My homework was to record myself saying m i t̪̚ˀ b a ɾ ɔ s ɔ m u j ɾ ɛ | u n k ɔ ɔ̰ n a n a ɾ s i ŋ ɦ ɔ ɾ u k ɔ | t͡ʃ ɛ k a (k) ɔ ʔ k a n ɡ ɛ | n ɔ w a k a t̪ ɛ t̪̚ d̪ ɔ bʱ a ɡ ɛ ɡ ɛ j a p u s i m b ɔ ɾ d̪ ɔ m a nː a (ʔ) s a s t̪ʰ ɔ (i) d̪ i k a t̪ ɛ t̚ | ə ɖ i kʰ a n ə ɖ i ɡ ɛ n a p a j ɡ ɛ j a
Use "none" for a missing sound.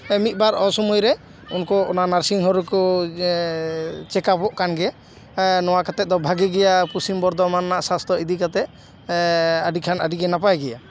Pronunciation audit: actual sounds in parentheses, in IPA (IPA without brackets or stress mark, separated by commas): p, ʔ, i